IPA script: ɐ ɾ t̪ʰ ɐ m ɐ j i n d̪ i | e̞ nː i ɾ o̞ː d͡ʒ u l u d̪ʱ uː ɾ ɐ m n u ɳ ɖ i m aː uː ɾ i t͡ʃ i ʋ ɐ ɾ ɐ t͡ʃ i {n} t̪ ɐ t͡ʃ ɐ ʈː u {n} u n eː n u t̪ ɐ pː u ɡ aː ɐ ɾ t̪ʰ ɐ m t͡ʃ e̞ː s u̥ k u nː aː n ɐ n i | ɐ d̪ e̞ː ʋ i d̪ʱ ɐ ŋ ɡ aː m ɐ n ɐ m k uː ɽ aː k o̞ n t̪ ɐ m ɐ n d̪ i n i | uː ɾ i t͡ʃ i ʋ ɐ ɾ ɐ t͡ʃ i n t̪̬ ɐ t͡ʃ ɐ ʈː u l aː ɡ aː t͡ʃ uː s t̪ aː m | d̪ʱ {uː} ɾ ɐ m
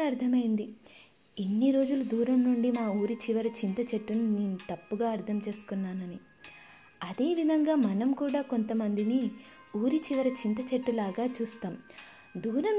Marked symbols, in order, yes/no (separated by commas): yes, yes, yes